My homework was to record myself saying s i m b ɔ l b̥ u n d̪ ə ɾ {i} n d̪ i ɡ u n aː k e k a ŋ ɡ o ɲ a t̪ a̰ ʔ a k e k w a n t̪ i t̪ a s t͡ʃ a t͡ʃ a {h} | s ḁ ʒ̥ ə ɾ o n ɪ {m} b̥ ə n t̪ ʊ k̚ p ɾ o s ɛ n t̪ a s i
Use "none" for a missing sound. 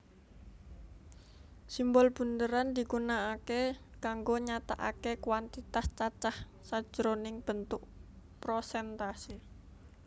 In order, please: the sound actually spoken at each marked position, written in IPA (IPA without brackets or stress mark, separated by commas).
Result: a, h, ŋ